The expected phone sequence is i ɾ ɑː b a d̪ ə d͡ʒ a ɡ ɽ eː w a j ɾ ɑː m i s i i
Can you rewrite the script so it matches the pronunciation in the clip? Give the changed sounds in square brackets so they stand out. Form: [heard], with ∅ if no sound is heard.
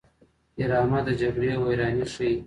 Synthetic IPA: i ɾ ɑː [m] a d̪ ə d͡ʒ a ɡ ɽ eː w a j ɾ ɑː [n] i [ʂ] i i

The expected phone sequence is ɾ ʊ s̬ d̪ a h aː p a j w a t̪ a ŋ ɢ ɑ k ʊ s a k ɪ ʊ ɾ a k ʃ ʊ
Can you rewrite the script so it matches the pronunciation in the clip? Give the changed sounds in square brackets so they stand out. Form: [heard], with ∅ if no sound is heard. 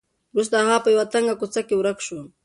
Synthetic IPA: ɾ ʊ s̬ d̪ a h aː p a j w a t̪ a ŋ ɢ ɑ k ʊ [t͡s] a k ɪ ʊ ɾ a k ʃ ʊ

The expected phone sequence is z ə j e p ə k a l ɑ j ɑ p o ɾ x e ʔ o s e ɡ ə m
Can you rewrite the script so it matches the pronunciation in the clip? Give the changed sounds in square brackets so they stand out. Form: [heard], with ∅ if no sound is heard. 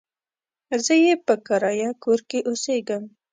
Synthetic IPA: z ə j e p ə k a [ɾ] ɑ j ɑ [k] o ɾ [k] e ʔ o s e ɡ ə m

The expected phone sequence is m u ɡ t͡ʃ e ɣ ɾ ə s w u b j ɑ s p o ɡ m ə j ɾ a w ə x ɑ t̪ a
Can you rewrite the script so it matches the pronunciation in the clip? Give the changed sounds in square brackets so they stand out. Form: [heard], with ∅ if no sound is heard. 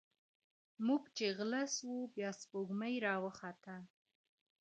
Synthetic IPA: m u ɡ t͡ʃ e ɣ [l] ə s w u b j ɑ s p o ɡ m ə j ɾ [ɑ] w ə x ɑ t̪ a

